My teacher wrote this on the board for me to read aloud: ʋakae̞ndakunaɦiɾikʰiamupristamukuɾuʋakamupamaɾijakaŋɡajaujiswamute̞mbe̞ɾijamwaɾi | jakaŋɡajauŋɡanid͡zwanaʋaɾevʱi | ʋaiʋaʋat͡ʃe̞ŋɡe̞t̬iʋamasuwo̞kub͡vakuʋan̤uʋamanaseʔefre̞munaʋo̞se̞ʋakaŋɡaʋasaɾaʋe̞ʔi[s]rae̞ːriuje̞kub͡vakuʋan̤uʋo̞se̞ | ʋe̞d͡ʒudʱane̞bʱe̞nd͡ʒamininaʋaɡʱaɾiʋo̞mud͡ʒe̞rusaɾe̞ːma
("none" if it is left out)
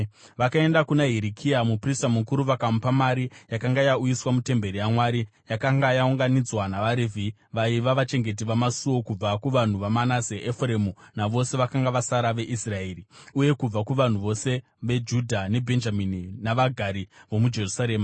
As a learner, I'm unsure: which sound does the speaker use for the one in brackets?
s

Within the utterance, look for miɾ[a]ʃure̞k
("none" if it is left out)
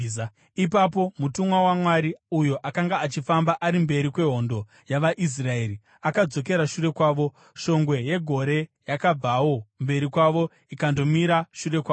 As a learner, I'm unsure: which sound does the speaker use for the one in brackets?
a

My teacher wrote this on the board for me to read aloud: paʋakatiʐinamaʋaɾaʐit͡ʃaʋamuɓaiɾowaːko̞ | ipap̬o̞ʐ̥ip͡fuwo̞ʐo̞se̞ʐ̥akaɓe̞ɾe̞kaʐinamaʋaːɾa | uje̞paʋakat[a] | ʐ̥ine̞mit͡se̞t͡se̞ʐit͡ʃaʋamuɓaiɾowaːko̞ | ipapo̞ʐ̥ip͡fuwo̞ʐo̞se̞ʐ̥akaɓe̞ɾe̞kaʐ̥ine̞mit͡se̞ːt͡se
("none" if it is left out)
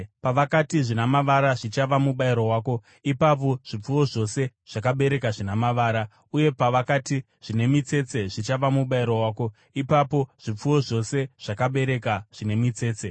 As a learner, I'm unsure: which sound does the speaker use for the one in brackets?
i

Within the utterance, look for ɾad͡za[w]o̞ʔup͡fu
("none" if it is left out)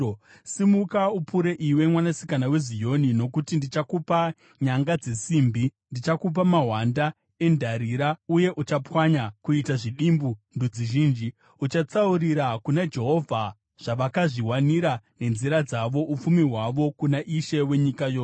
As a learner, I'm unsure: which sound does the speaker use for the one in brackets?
ʋ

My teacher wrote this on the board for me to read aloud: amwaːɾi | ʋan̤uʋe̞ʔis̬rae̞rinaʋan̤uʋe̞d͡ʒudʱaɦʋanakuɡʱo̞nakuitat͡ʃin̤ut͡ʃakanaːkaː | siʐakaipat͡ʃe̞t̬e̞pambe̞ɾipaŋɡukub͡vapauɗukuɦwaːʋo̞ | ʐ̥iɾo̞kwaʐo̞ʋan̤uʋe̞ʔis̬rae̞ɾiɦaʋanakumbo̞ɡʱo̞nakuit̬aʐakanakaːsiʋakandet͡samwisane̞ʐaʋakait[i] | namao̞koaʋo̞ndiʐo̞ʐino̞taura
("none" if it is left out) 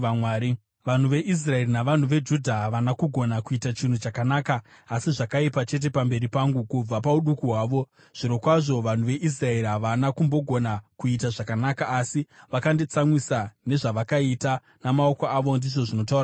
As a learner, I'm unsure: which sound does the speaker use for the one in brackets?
a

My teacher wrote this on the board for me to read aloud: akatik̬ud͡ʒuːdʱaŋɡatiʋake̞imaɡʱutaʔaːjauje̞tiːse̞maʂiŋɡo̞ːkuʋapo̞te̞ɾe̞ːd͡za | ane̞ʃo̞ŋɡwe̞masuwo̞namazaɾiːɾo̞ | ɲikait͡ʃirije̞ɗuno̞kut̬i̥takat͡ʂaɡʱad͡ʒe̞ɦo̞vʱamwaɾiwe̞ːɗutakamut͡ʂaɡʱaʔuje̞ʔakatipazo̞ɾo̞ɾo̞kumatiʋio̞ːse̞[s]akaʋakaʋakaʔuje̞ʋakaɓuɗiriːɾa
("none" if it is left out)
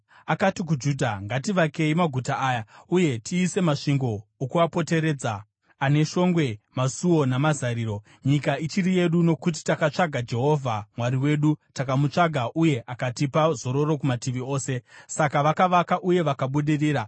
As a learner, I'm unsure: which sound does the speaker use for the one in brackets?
s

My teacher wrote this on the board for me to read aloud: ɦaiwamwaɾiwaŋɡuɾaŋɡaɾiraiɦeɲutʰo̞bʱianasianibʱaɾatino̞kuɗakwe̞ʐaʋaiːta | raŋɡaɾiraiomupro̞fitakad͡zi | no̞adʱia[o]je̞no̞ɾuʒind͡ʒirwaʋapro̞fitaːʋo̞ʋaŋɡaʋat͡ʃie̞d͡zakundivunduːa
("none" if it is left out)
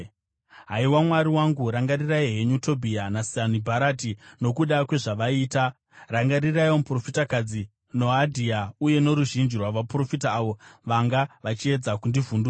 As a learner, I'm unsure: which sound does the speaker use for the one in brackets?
u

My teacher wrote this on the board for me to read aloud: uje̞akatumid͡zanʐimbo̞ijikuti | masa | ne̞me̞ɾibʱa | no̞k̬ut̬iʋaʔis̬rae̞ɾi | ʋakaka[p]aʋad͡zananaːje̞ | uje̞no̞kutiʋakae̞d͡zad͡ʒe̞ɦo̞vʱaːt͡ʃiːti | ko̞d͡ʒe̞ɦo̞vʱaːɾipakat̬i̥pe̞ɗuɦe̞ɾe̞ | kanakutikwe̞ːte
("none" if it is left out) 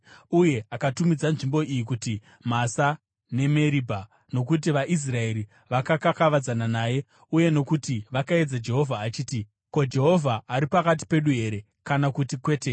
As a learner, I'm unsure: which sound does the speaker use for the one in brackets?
k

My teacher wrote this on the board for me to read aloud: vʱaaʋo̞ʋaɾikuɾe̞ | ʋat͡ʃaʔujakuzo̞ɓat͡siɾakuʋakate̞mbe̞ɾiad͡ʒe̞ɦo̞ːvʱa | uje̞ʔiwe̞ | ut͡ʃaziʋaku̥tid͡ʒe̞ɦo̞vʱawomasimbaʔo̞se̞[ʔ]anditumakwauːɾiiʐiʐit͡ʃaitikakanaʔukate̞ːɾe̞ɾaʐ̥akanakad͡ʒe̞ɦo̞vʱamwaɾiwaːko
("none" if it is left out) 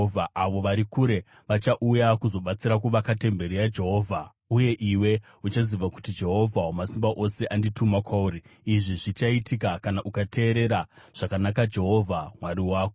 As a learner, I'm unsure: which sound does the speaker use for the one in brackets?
ʔ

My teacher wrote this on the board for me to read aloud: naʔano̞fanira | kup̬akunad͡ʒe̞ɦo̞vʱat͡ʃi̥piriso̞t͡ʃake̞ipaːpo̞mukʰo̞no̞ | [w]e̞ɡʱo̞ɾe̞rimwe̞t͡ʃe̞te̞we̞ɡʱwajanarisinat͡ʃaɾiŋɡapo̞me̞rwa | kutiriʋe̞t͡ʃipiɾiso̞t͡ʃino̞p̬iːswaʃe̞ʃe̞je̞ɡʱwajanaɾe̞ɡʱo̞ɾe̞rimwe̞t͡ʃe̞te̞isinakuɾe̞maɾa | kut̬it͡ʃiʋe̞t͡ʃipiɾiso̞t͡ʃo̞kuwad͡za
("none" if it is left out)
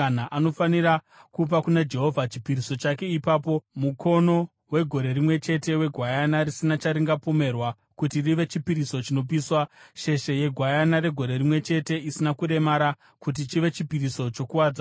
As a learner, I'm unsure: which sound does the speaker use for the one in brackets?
w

